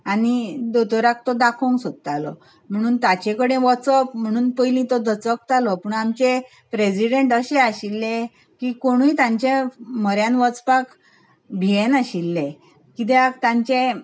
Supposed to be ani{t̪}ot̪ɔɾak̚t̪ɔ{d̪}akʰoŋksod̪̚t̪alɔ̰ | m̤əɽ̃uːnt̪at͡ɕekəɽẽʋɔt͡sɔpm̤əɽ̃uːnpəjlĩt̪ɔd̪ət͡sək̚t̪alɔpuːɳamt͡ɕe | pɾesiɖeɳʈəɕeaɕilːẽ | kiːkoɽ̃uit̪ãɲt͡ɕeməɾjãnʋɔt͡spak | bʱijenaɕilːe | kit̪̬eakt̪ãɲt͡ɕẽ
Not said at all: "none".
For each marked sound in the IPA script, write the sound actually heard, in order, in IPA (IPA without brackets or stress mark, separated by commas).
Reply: d̪, d̪